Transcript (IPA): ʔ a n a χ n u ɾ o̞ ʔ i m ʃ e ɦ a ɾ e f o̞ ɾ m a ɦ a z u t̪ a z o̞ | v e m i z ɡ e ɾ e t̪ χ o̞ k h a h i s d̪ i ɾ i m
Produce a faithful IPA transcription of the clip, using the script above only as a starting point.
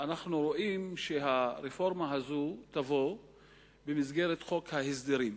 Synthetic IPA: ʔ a n a χ n u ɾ o̞ ʔ i m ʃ e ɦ a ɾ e f o̞ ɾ m a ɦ a z u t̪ a v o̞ | b e m i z ɡ e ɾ e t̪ χ o̞ k h a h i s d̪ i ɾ i m